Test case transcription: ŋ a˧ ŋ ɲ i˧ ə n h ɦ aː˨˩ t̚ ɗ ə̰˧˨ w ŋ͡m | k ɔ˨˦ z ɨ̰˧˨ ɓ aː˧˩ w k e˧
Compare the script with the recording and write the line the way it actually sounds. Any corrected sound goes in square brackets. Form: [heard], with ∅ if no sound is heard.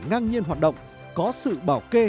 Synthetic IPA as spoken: ŋ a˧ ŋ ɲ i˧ ə n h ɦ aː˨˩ t̚ ɗ ə̰˧˨ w ŋ͡m | k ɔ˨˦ [s] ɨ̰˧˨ ɓ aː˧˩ w k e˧

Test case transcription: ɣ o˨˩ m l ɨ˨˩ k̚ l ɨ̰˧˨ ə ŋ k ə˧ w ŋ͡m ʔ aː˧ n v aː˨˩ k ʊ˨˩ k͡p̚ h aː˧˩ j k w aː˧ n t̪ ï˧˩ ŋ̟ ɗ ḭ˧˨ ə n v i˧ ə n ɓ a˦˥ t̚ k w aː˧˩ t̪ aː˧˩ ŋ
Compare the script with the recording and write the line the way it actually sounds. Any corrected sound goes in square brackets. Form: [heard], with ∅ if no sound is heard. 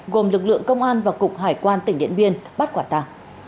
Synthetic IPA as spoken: ɣ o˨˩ m l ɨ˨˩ k̚ l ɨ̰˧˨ ə ŋ k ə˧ w ŋ͡m ʔ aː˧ n v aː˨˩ k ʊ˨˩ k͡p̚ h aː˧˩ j k w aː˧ n t̪ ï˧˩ ŋ̟ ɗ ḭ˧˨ ə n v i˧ ə n ɓ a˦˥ t̚ k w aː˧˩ t̪ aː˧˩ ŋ

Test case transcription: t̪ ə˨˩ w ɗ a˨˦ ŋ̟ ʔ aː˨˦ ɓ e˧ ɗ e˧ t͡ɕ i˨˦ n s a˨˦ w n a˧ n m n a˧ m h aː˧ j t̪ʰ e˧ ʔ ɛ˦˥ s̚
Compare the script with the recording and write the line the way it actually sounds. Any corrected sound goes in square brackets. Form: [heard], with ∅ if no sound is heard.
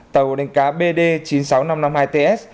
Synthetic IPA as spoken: t̪ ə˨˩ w ɗ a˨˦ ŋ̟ [k] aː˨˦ ɓ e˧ ɗ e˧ t͡ɕ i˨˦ n s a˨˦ w n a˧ [∅] m n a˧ m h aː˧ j [t̪] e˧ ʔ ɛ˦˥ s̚

